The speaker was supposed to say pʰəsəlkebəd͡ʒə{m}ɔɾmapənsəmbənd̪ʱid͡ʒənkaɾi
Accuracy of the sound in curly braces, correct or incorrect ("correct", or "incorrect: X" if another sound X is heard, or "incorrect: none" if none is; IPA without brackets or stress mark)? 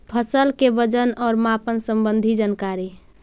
incorrect: n